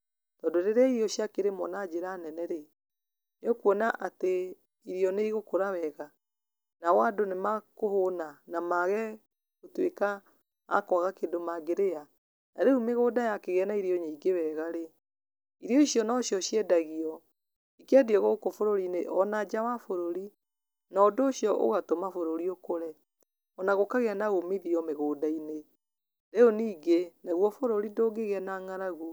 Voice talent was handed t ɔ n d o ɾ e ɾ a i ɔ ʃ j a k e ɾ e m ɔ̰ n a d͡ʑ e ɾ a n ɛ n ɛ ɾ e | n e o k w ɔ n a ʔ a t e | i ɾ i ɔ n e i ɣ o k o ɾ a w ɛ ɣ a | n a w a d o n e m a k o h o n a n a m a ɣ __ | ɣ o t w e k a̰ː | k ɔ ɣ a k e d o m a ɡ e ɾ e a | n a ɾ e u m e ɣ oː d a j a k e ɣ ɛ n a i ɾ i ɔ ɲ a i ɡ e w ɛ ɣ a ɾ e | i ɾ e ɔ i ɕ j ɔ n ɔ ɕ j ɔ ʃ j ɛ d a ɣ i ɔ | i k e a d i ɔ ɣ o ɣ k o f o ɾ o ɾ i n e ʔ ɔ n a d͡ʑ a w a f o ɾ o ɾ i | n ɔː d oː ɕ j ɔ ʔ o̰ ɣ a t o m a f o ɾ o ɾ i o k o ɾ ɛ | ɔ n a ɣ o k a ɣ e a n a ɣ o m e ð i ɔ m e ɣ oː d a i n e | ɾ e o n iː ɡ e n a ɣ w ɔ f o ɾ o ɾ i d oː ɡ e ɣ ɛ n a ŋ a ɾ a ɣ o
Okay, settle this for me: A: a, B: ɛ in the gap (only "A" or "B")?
B